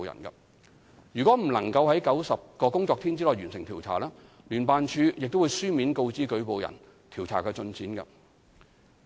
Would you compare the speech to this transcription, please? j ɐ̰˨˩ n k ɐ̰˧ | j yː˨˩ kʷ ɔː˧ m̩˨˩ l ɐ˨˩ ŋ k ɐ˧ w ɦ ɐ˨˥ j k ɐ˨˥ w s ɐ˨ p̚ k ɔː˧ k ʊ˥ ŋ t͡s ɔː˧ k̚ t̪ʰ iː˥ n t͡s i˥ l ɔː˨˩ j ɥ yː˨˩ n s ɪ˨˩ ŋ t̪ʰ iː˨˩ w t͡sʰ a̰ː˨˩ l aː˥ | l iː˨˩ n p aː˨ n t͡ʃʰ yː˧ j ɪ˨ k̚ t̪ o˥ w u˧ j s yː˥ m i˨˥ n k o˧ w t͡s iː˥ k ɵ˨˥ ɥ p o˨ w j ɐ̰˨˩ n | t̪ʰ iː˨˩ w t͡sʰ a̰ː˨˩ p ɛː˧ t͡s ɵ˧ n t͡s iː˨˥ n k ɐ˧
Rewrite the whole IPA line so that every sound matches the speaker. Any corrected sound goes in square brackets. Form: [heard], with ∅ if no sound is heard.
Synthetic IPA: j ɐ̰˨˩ n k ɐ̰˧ | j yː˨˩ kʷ [ɔː˨˥] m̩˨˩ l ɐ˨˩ ŋ k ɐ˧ w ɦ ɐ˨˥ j k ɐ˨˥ w s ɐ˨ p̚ k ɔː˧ k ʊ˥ ŋ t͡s ɔː˧ k̚ t̪ʰ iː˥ n t͡s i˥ l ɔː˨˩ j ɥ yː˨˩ n s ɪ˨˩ ŋ t̪ʰ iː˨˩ w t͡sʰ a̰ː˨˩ l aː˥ | l [yː˨˩] n p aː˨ n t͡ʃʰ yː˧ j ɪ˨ k̚ t̪ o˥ w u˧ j s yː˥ m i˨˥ n k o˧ w t͡s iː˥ k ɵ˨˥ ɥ p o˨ w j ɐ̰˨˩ n | t̪ʰ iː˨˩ w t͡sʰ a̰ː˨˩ [k] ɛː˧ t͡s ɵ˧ n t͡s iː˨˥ n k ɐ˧

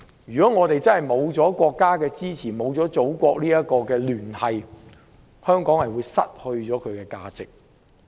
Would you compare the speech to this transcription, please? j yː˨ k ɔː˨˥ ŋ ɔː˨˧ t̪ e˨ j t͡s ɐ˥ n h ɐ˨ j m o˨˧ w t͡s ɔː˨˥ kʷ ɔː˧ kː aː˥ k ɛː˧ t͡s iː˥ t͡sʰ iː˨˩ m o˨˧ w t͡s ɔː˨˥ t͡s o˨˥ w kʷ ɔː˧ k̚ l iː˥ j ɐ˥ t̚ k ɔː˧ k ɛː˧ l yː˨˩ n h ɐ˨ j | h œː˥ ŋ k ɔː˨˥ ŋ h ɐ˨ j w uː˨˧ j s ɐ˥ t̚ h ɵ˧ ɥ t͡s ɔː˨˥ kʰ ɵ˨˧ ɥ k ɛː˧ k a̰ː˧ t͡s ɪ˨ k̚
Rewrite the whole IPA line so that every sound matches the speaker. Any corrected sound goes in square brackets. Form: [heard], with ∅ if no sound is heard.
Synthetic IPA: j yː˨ k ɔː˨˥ ŋ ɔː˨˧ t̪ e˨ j t͡s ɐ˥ n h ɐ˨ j m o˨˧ w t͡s ɔː˨˥ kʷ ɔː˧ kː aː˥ k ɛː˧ t͡s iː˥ t͡sʰ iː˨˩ m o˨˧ w t͡s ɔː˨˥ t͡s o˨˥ w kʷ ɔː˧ k̚ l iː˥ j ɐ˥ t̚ k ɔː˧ k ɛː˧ l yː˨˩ n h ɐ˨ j | h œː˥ ŋ k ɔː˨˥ ŋ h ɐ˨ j w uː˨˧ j s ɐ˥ t̚ h ɵ˧ ɥ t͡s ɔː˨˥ kʰ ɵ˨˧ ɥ k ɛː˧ k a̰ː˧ t͡s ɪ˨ k̚

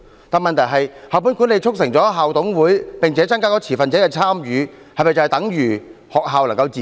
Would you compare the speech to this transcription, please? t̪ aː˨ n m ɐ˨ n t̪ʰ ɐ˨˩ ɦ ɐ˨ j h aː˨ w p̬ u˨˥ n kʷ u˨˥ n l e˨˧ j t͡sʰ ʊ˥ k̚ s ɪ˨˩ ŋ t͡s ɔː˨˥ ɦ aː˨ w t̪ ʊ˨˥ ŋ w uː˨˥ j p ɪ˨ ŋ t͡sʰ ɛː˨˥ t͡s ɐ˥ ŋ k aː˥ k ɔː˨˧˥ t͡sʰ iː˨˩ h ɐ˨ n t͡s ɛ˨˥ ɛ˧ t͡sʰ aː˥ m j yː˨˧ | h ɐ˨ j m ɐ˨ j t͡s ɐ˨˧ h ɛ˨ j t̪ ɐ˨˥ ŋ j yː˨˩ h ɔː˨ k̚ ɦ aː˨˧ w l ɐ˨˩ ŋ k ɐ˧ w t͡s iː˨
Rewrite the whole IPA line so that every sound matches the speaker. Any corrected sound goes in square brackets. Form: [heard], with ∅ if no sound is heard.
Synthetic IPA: t̪ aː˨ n m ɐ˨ n t̪ʰ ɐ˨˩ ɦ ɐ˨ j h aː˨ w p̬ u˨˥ n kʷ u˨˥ n l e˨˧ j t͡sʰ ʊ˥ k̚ s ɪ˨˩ ŋ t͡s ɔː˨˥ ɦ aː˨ w t̪ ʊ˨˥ ŋ w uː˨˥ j p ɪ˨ ŋ t͡sʰ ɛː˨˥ t͡s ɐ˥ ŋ k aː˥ k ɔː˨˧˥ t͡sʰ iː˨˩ [f] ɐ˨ n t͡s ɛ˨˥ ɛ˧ t͡sʰ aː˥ m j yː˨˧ | h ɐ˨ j m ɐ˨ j t͡s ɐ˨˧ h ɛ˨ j t̪ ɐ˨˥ ŋ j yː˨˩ h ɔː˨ k̚ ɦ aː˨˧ w l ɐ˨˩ ŋ k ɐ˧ w t͡s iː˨

